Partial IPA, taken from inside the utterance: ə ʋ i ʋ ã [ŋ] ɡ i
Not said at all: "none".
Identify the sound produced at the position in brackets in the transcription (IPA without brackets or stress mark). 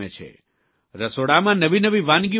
n